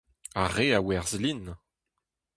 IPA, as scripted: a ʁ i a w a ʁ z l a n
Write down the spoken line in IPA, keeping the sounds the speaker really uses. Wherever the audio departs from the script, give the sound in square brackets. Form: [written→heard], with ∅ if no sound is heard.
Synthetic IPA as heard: a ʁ [i→e] a w [a→ɛ] ʁ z l [a→i] n